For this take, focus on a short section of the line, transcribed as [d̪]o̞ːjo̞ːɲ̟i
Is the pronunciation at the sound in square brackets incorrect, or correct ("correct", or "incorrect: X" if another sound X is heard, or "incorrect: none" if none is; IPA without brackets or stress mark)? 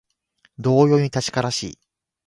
correct